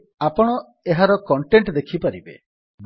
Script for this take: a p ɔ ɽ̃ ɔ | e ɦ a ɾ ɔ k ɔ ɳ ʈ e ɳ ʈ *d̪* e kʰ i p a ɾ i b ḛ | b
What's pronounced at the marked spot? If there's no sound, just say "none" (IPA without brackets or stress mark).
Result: d̪